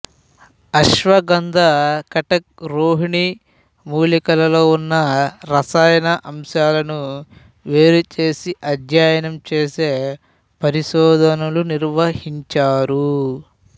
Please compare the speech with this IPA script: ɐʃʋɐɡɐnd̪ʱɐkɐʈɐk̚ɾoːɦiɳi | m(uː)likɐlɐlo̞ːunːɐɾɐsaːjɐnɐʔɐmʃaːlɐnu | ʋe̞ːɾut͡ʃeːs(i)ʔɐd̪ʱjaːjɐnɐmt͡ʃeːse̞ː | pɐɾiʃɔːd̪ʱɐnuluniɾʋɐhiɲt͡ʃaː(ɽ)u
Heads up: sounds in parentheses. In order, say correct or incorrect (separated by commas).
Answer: correct, correct, incorrect